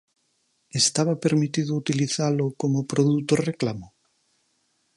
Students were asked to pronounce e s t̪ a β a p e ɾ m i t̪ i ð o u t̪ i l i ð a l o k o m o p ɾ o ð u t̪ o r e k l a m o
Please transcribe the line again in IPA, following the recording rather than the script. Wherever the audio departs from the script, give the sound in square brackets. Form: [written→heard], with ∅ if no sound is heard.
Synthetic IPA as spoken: e s t̪ a β a p e ɾ m i t̪ i ð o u t̪ i l i [ð→θ] a l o k o m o p ɾ o ð u t̪ o r e k l a m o